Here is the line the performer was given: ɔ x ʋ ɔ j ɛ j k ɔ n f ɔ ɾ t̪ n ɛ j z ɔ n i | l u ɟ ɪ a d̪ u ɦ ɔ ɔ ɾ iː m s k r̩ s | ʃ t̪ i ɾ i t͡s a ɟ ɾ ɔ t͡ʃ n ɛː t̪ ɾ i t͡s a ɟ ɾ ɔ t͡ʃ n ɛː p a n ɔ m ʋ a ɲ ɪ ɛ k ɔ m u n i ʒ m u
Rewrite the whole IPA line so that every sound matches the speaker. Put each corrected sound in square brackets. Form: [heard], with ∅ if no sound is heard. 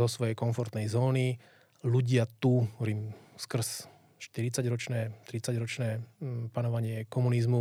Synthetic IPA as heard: ɔ [s] ʋ ɔ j ɛ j k ɔ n f ɔ ɾ t̪ n ɛ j z [ɔː] n i | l u ɟ ɪ a [t̪] u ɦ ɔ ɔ ɾ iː m s k r̩ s | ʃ t̪ i ɾ i t͡s a ɟ ɾ ɔ t͡ʃ n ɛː t̪ ɾ i t͡s a ɟ ɾ ɔ t͡ʃ n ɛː p a n ɔ [∅] ʋ a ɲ ɪ ɛ k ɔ m u n i [z] m u